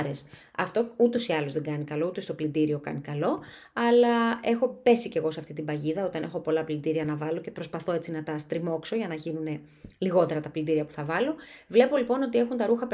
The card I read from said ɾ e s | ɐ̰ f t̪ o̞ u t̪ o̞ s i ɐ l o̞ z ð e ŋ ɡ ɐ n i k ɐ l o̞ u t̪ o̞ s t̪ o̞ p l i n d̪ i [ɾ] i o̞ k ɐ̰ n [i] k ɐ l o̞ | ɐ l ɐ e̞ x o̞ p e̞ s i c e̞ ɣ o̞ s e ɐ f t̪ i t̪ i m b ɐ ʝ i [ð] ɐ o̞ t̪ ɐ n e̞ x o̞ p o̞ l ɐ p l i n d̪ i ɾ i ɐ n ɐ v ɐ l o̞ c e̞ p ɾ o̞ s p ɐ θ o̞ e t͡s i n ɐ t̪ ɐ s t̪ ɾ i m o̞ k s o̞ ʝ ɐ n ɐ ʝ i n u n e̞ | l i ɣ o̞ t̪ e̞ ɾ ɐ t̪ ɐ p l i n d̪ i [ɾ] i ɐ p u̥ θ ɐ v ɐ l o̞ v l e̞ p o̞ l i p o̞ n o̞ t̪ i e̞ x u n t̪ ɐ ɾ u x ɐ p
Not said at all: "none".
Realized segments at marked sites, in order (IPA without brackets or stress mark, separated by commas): ɾ, i, ð, ɾ